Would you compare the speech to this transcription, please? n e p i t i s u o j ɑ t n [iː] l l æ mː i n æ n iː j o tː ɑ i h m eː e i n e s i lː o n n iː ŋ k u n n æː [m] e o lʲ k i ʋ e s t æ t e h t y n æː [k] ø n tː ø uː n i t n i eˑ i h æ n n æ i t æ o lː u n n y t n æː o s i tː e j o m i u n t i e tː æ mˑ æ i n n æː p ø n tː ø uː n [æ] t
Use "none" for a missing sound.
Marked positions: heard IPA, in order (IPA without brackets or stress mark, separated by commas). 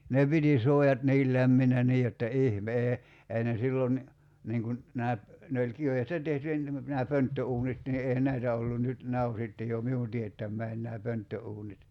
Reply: iː, n, p, i